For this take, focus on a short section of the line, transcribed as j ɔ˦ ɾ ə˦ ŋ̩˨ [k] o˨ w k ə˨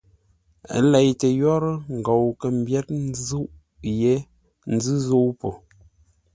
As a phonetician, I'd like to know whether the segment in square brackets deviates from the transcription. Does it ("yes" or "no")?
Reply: yes